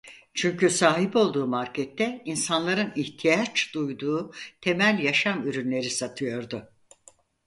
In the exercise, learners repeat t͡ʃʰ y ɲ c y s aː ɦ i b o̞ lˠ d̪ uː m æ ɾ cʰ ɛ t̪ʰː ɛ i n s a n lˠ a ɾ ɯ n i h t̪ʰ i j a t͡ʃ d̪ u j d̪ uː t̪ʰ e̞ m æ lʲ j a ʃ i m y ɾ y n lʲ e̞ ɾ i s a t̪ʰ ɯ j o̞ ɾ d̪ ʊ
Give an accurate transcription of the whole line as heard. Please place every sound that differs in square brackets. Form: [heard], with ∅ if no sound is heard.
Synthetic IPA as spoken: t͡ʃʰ y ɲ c y s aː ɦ i b o̞ lˠ d̪ uː m [a] ɾ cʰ ɛ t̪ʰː ɛ i n s a n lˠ a ɾ ɯ n i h t̪ʰ i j a t͡ʃ d̪ u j d̪ uː t̪ʰ e̞ m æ lʲ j a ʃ [a] m y ɾ y n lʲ e̞ ɾ i s a t̪ʰ ɯ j o̞ ɾ d̪ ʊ